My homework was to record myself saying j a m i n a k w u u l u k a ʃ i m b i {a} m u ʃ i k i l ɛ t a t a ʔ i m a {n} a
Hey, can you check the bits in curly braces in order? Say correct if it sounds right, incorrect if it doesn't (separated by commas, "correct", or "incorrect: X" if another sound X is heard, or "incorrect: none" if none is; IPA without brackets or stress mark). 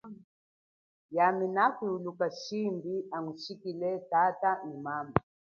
correct, incorrect: m